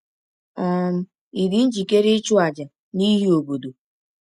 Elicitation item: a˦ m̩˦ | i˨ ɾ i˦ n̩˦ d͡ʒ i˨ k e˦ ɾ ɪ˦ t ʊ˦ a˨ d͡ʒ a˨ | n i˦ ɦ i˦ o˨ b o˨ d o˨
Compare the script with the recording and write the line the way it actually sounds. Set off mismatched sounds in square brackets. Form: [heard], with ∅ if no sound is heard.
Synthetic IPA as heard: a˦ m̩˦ | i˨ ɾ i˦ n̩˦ d͡ʒ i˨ k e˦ ɾ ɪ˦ [t͡ʃ] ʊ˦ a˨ d͡ʒ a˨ | n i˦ ɦ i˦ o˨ b o˨ d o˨